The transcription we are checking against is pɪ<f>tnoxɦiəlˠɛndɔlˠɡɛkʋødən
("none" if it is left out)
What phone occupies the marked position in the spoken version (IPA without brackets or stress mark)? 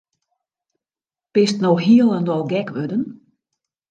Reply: s